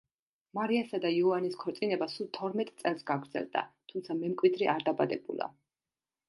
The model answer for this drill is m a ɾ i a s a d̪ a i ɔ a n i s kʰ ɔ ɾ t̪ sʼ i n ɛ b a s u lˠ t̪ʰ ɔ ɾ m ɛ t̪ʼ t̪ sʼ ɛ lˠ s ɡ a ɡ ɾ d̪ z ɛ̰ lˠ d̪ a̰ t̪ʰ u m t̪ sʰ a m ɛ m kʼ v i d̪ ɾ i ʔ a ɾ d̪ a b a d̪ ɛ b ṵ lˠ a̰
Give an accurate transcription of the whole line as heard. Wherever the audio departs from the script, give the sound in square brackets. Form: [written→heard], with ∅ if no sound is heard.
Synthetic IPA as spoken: m a ɾ i a s a d̪ a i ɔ a n i s kʰ ɔ ɾ t̪ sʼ i n ɛ b a s u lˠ t̪ʰ ɔ ɾ m ɛ t̪ʼ t̪ sʼ ɛ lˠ s ɡ a ɡ ɾ d̪ z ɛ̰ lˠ d̪ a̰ t̪ʰ u m t̪ sʰ a m ɛ m kʼ [v→w] i d̪ ɾ i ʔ a ɾ d̪ a b a d̪ ɛ b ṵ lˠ a̰